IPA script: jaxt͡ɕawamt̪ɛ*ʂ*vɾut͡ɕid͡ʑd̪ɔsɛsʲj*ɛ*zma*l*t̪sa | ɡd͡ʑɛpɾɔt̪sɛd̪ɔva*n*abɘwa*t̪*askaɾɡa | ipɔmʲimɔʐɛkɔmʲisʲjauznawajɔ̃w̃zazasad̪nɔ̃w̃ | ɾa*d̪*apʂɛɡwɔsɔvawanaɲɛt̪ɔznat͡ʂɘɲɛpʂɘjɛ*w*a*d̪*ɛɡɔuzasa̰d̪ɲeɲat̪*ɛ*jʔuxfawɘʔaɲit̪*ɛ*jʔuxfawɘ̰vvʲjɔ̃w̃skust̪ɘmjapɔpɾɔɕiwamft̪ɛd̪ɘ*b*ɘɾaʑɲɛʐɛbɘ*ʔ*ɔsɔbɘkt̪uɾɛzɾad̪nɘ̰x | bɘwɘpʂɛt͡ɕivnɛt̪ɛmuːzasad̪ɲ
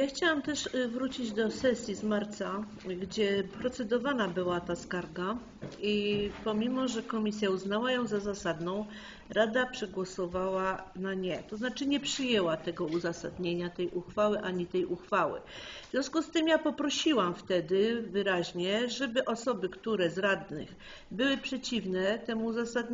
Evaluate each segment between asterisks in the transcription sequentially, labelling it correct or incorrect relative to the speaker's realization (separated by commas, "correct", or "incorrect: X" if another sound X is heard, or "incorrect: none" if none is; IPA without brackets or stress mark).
correct, incorrect: i, incorrect: ɾ, correct, correct, correct, correct, incorrect: t̪, correct, correct, incorrect: v, correct